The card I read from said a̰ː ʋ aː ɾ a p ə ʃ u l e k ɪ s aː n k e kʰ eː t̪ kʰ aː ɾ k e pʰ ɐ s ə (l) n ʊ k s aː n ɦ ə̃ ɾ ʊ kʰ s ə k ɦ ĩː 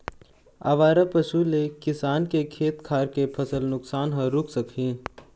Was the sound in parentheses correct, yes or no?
yes